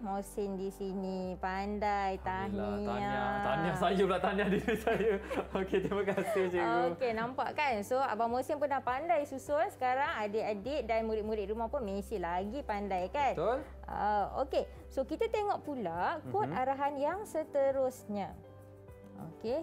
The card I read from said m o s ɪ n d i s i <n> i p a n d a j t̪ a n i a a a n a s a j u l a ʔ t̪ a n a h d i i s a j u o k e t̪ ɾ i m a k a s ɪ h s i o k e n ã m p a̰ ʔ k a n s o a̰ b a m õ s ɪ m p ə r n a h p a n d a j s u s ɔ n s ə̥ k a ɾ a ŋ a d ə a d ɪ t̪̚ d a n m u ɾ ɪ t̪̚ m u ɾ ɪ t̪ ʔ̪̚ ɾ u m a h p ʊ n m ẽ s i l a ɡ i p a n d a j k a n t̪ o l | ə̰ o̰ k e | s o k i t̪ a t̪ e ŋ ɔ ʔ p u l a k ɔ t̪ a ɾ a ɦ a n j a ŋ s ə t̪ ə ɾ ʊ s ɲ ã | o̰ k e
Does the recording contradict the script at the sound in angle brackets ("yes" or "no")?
no